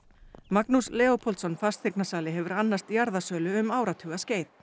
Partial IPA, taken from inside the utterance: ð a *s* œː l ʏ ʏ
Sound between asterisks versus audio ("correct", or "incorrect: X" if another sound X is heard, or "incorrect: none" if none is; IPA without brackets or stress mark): correct